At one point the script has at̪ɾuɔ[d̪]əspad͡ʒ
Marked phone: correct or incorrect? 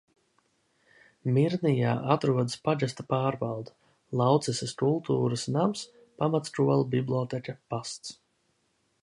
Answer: correct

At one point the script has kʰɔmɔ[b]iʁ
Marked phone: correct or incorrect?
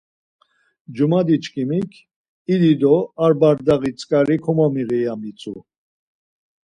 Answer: incorrect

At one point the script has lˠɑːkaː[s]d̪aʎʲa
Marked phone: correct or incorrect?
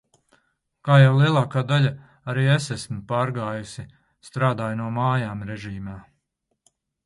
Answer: incorrect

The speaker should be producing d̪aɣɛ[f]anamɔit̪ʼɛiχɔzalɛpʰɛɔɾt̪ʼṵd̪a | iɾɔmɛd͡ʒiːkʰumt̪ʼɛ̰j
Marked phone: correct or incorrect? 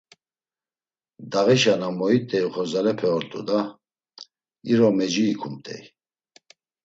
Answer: incorrect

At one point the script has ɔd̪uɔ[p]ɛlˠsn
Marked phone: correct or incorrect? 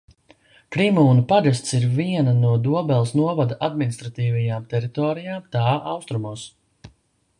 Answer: incorrect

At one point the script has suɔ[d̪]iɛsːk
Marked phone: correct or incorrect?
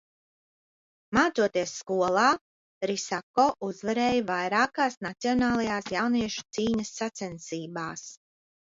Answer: incorrect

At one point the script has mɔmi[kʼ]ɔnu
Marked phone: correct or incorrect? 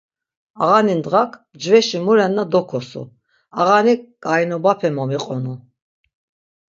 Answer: incorrect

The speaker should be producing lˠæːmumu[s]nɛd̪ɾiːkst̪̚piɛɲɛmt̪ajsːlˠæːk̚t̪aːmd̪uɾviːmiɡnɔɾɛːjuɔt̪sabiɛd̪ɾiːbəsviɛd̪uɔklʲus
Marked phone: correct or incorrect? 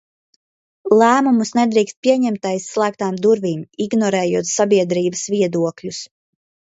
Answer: correct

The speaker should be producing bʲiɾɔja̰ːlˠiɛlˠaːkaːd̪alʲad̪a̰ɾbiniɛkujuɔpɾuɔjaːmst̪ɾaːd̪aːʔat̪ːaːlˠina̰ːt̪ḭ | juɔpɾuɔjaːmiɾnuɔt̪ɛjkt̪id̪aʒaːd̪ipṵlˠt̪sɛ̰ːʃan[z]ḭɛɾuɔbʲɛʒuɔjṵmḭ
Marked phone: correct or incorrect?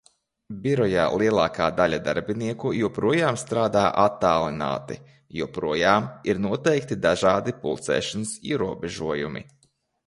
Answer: incorrect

